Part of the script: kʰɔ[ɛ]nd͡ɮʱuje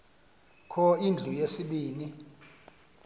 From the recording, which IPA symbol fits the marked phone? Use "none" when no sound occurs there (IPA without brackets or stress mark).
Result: i